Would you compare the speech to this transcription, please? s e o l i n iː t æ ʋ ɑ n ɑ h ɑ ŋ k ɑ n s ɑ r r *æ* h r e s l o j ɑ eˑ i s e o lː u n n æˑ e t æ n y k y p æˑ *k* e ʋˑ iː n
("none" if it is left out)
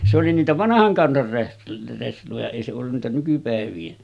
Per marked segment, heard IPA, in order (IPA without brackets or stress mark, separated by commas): e, none